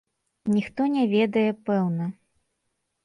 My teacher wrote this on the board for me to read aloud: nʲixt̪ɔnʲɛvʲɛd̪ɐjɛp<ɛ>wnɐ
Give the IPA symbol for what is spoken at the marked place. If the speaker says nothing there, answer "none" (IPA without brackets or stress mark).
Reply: ɛ